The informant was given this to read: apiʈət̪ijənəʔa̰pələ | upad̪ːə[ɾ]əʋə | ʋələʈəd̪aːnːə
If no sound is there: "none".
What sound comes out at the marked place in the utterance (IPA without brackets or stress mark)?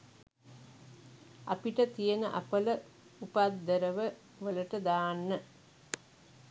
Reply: ɾ